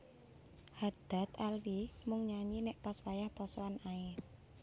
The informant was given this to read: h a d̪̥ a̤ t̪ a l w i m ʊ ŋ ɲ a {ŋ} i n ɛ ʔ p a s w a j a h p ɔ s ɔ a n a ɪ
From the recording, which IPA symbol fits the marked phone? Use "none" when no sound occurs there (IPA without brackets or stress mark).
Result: ɲ